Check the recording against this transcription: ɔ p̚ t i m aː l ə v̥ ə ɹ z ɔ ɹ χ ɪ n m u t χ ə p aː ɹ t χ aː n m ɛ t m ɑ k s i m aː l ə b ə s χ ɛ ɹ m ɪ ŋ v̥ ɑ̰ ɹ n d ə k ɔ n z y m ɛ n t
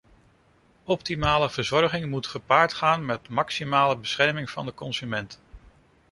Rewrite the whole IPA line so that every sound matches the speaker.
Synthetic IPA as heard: ɔ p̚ t i m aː l ə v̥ ə ɹ z ɔ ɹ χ ɪ ŋ m u t χ ə p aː ɹ t χ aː n m ɛ t m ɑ k s i m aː l ə b ə s χ ɛ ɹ m ɪ ŋ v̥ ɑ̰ n d ə k ɔ n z y m ɛ n t